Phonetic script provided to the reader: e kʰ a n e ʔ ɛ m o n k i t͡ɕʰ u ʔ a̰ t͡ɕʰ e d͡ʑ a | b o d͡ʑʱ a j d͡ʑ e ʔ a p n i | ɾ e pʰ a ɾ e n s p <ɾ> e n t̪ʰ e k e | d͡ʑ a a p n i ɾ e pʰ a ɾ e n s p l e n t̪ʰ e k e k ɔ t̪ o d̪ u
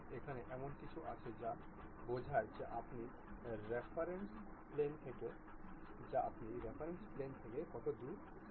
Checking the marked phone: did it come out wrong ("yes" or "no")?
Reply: yes